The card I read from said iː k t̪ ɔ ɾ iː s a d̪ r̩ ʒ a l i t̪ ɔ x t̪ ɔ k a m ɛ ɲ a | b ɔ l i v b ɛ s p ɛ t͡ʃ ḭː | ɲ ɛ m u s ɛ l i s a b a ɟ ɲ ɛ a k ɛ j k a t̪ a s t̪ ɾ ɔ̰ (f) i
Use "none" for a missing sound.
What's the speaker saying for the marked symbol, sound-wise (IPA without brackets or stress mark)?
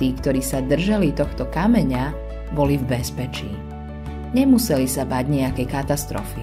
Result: f